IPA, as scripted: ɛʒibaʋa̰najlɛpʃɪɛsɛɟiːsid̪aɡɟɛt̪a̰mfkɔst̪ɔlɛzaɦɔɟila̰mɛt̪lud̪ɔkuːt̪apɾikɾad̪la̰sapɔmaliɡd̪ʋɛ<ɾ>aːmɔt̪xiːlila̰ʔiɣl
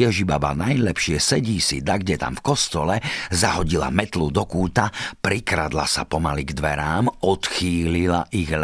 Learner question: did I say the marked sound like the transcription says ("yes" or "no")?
yes